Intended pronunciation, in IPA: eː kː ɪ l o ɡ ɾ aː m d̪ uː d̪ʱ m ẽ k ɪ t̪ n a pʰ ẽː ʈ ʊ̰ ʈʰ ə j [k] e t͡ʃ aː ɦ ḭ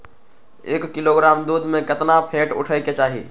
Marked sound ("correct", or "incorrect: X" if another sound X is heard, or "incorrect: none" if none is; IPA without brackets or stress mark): correct